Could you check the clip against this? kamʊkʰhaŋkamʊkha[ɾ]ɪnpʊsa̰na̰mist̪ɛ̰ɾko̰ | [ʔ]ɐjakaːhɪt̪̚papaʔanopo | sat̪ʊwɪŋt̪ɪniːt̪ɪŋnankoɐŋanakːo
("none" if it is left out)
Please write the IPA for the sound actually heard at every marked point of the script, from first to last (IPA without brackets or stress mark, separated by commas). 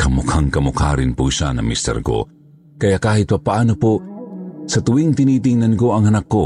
ɾ, k